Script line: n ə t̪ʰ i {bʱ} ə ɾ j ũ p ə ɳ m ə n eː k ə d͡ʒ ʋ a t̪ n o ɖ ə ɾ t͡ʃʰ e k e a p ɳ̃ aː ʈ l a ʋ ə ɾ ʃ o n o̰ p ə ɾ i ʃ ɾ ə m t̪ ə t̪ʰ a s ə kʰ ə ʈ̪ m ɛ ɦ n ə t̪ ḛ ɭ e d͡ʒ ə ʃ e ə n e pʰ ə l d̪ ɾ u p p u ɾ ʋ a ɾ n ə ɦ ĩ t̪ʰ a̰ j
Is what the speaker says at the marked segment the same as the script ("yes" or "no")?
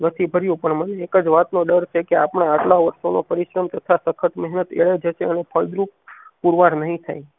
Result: yes